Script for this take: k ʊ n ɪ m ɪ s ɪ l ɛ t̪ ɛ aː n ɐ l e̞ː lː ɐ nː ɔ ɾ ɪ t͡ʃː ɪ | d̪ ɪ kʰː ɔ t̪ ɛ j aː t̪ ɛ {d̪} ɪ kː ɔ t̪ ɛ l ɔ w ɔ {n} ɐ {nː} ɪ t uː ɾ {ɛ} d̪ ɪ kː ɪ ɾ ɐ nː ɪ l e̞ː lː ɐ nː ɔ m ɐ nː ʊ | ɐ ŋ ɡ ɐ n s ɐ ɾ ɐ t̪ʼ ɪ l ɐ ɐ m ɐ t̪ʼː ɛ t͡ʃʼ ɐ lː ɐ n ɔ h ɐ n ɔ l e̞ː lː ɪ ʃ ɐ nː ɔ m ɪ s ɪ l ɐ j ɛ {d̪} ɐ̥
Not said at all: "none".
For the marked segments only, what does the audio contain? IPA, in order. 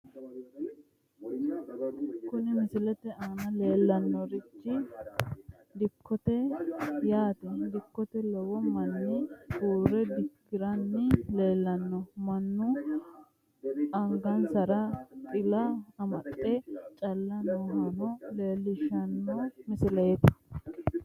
d̪, m, nː, ɛ, t̪

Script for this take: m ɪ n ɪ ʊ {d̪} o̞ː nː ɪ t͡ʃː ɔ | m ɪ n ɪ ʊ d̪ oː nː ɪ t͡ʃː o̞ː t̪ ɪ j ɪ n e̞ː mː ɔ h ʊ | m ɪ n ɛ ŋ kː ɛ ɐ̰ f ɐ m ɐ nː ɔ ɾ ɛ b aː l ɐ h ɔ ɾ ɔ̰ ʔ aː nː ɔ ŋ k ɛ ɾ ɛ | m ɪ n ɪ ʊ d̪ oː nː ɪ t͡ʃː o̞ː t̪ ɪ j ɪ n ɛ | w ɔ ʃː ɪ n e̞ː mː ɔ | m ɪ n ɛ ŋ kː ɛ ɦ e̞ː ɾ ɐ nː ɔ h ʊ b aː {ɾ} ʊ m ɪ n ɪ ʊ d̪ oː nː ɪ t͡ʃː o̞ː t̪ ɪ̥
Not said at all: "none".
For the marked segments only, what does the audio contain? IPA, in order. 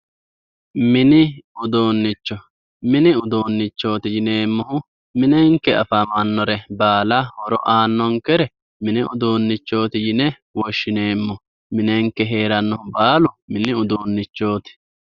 d̪, l

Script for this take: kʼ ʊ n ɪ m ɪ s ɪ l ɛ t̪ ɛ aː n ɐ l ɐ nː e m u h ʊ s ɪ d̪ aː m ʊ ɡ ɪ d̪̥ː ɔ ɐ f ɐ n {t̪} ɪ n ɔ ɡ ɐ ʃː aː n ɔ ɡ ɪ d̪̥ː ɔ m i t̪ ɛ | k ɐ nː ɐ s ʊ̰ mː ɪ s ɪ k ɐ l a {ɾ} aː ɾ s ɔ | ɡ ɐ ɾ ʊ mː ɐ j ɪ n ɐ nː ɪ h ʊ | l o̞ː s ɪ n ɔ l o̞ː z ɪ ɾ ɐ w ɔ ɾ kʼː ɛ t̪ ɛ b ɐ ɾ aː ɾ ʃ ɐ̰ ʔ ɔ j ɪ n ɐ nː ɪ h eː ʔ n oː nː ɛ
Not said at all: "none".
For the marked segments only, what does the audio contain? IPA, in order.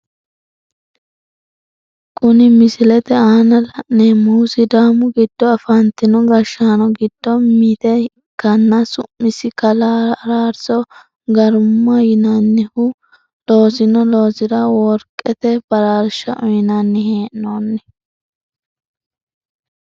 t̪, ɾ

